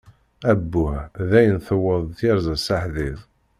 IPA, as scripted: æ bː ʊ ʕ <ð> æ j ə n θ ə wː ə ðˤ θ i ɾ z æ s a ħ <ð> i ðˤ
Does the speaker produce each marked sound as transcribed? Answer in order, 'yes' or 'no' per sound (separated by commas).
yes, yes